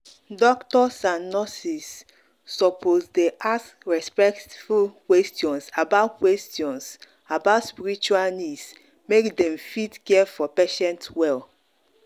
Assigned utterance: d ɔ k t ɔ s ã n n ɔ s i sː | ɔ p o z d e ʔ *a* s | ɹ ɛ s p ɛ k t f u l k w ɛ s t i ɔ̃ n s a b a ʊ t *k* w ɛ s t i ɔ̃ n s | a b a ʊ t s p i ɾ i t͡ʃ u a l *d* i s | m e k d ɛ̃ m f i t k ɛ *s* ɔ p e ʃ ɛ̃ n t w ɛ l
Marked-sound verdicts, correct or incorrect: correct, correct, incorrect, incorrect

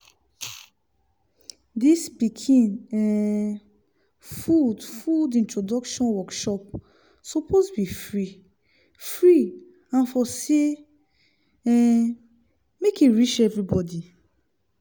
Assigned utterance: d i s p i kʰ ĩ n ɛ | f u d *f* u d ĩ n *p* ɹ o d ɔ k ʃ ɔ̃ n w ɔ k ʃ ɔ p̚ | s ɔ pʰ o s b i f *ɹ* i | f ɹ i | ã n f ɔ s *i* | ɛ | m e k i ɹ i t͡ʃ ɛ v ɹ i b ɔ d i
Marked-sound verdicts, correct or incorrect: correct, incorrect, correct, incorrect

